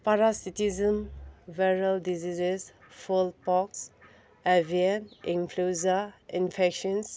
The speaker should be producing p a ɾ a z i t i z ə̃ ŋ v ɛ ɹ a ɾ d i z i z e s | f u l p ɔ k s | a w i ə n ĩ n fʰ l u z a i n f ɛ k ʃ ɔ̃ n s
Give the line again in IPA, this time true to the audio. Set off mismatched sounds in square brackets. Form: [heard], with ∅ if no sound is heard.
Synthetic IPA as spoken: p a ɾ a [s] i t i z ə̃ [m] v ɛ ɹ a [l] d i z i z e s | f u l p ɔ k s | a [v] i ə n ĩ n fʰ l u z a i n f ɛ k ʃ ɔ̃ n s

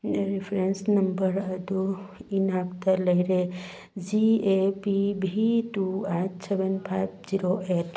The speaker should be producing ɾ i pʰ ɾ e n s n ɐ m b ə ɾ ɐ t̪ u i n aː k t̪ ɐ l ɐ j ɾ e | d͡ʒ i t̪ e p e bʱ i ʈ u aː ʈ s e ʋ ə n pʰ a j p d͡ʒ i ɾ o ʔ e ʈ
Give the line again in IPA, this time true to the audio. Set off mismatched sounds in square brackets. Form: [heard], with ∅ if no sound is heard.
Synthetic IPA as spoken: ɾ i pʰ ɾ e n s n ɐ m b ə ɾ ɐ [d̪] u i n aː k t̪ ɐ l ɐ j ɾ e | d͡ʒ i [∅] e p [i] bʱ i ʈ u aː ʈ s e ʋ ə n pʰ a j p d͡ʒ i ɾ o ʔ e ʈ

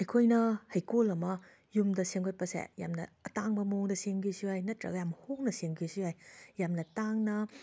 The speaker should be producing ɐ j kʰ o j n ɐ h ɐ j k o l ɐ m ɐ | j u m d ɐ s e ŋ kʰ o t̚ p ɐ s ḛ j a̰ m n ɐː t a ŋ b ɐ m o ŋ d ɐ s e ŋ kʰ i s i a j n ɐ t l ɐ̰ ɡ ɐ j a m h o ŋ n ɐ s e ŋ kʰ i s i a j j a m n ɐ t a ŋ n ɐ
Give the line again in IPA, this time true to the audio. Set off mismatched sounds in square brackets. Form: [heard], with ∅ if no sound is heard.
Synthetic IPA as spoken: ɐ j kʰ o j n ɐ h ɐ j k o l ɐ m ɐ | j u m d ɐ s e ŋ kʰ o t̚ p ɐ s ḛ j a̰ m n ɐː t a ŋ b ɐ m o ŋ d ɐ s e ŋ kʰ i s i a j n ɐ t [ɾ] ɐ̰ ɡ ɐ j a m h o ŋ n ɐ s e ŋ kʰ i s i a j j a m n ɐ t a ŋ n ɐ

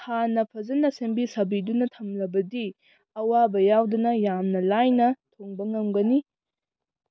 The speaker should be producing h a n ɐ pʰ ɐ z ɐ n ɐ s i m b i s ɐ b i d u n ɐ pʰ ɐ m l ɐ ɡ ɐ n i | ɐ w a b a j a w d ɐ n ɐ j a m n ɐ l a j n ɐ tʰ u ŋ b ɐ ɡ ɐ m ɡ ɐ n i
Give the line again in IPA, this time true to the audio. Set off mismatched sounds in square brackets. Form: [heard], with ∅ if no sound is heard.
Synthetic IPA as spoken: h a n ɐ pʰ ɐ z ɐ n ɐ s [e] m b i s ɐ b i d u n ɐ [tʰ] ɐ m l ɐ [b] ɐ [d] i | ɐ w a b [ɐ] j a w d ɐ n ɐ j a m n ɐ l a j n ɐ tʰ [o] ŋ b ɐ [ŋ] ɐ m ɡ ɐ n i

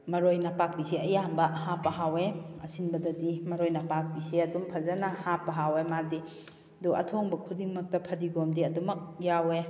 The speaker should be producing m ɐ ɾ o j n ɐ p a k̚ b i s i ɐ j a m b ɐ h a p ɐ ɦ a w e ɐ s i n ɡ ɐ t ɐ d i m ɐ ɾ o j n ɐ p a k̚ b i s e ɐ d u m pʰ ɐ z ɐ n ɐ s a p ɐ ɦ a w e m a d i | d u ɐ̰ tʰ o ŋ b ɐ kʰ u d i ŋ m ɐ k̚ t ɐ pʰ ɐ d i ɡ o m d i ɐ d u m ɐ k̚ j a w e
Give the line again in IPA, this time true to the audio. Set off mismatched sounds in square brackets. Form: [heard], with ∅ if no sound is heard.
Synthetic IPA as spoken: m ɐ ɾ o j n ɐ p a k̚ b i s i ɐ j a m b ɐ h a p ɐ ɦ a w e ɐ s i n [b] ɐ [d] ɐ d i m ɐ ɾ o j n ɐ p a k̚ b i s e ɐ d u m pʰ ɐ z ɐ n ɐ [h] a p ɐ ɦ a w e m a d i | d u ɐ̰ tʰ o ŋ b ɐ kʰ u d i ŋ m ɐ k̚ t ɐ pʰ ɐ d i ɡ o m d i ɐ d u m ɐ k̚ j a w e

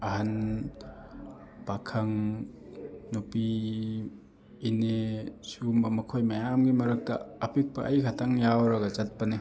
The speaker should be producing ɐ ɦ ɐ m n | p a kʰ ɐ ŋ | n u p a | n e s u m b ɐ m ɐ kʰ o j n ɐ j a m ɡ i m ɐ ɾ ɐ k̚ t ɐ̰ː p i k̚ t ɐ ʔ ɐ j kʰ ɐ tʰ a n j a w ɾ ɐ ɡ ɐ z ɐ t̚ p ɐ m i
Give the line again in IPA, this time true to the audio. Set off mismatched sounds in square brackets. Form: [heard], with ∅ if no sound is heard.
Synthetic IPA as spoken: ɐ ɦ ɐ [∅] n | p a kʰ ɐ ŋ | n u p [i] | n e s u m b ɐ m ɐ kʰ o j [m] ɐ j a m ɡ i m ɐ ɾ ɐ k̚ t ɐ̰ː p i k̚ [p] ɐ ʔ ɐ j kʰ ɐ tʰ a [ŋ] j a w ɾ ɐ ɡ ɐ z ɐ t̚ p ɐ [n] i

